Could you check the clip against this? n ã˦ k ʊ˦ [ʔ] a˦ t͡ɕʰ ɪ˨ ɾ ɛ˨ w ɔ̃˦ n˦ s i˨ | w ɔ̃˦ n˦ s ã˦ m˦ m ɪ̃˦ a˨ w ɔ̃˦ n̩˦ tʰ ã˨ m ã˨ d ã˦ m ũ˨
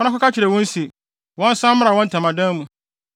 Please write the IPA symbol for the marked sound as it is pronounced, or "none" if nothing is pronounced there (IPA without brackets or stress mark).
k